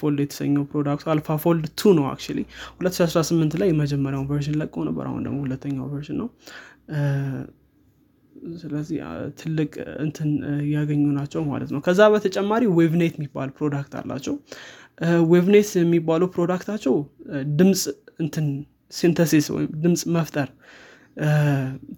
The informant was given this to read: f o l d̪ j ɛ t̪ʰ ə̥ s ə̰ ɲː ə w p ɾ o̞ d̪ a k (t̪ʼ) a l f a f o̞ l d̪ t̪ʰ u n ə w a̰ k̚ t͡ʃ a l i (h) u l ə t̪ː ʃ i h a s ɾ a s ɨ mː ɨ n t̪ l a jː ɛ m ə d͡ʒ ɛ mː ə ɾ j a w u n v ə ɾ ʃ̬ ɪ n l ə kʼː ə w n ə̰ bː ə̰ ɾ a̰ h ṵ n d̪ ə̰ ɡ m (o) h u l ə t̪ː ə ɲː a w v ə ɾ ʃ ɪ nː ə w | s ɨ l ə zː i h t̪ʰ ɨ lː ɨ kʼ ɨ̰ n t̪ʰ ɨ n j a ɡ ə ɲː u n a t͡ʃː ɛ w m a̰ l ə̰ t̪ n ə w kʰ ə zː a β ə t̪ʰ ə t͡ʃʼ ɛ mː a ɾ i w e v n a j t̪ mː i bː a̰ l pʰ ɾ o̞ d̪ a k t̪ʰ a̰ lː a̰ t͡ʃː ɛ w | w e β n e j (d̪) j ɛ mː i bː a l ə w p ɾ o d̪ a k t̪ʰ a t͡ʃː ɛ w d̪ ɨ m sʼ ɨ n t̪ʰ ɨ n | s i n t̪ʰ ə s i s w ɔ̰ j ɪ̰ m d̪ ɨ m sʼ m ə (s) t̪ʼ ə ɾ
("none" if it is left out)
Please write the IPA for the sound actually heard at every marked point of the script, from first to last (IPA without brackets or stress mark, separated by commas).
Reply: t̪, h, o, t̪, f